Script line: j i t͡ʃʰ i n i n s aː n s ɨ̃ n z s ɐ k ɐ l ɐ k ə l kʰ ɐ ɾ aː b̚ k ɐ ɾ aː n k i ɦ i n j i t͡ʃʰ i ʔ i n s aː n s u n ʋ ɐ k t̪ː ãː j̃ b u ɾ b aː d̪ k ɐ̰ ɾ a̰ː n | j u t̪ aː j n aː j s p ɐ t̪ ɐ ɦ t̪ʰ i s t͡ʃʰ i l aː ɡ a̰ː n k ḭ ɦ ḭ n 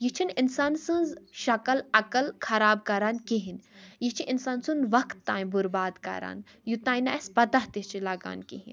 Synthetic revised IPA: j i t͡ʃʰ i n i n s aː n s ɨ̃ n z ʃ ɐ k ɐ l ɐ k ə l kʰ ɐ ɾ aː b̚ k ɐ ɾ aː n k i ɦ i n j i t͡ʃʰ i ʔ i n s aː n s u n ʋ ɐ k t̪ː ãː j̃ b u ɾ b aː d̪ k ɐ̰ ɾ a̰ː n | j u t̪ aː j n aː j s p ɐ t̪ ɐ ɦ t̪ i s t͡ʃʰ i l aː ɡ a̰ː n k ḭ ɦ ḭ n